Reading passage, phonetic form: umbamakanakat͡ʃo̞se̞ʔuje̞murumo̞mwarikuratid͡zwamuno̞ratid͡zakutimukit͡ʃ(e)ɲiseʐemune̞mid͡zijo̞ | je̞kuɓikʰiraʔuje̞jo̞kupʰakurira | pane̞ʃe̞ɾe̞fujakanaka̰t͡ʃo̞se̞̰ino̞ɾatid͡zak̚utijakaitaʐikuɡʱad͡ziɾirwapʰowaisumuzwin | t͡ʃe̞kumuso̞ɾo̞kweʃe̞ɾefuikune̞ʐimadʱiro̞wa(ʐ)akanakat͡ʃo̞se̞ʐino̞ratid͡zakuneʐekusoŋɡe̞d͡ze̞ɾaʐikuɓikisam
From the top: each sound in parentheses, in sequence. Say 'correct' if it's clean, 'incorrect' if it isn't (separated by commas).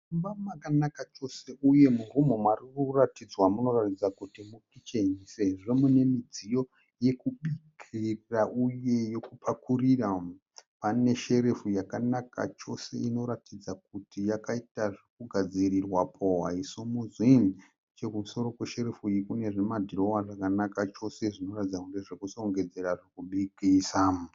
correct, correct